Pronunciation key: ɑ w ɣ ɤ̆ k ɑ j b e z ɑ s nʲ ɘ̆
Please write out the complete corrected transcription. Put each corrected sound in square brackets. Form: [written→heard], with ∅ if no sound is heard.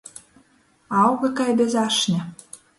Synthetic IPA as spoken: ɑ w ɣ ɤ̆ k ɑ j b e z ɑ [s→ʃ] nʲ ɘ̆